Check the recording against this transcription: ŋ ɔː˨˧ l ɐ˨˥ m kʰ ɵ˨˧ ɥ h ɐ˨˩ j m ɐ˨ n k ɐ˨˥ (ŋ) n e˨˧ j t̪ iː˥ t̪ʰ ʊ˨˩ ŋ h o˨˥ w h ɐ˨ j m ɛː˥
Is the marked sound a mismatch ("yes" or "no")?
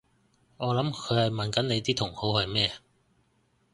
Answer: yes